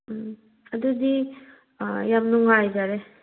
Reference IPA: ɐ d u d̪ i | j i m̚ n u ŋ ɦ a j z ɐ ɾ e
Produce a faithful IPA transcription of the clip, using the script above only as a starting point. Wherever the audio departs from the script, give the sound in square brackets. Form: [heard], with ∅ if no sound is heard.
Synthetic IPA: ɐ d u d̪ i | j [a] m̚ n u ŋ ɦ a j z [a] ɾ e